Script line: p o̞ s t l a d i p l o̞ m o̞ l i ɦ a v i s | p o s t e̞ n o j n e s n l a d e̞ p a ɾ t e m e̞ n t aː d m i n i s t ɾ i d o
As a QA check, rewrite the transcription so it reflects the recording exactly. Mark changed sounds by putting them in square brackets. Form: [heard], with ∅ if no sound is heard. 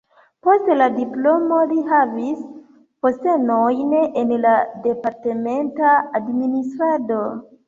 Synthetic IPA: p o̞ s t l a d i p l o̞ m o̞ l i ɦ a v i s | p o s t e̞ n o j n e [∅] n l a d e̞ p a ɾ t e m e̞ n t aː d m i n i s t ɾ [a] d o